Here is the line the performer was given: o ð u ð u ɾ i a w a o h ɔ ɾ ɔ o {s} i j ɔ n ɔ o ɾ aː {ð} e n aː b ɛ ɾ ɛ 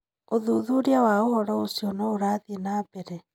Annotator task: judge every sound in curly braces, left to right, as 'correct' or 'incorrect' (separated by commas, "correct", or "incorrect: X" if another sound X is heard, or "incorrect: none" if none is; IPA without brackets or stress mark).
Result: correct, correct